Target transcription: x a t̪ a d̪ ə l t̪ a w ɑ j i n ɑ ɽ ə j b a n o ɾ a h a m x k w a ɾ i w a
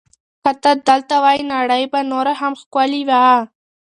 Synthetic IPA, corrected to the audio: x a t̪ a d̪ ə l t̪ a w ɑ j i n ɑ ɽ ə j b a n o ɾ a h a m x k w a l i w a